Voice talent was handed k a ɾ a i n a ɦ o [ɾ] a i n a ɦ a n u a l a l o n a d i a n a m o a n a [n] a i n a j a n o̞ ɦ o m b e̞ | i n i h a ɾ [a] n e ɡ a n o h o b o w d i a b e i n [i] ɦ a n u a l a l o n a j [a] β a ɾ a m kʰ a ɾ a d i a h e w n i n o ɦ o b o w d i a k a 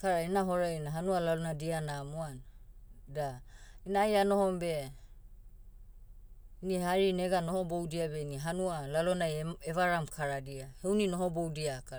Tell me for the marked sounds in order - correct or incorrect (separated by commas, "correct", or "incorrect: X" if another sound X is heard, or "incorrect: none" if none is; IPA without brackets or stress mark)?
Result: correct, incorrect: d, incorrect: i, correct, incorrect: e